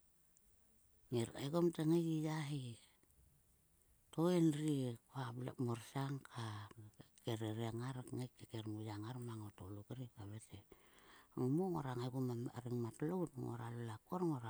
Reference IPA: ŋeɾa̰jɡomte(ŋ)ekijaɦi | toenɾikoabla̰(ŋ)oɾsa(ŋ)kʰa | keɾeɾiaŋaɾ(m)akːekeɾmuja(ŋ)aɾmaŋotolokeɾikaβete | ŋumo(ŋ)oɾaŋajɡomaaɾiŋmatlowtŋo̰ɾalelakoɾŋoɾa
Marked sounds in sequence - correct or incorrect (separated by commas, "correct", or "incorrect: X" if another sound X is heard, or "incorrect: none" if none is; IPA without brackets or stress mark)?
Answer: correct, incorrect: m, correct, incorrect: ŋ, correct, correct